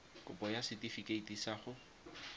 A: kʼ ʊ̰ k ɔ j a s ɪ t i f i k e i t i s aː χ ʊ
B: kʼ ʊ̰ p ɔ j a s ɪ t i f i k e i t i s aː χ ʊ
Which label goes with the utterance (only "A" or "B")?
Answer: B